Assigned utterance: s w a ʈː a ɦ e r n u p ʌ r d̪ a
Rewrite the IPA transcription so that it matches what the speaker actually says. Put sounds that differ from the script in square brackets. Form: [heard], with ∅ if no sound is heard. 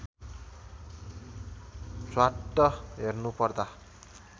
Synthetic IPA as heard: s w a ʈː [ʌ] ɦ e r n u p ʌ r d̪ a